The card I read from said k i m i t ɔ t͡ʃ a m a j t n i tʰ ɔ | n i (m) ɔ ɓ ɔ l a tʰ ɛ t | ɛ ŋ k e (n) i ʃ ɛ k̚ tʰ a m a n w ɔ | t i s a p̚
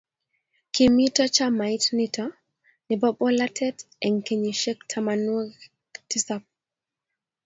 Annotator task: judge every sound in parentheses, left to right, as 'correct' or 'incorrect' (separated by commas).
incorrect, incorrect